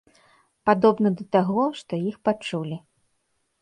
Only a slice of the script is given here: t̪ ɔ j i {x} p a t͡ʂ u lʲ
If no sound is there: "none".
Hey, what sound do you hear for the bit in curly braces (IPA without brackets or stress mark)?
x